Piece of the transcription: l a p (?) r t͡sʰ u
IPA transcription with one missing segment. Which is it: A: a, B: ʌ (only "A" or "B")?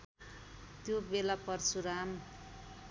B